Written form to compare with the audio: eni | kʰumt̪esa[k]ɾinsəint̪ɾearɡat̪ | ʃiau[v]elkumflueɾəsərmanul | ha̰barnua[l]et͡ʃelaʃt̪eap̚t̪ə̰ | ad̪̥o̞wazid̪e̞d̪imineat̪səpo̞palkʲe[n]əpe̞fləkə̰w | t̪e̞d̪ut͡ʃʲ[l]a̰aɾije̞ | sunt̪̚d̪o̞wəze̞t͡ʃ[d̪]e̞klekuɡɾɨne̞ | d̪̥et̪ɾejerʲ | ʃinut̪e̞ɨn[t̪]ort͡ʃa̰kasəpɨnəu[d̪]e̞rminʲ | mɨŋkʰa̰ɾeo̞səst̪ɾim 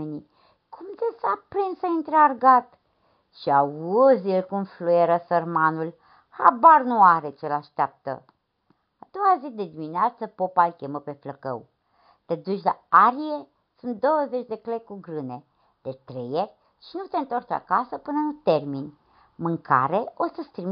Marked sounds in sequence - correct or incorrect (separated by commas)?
incorrect, incorrect, incorrect, incorrect, correct, correct, correct, incorrect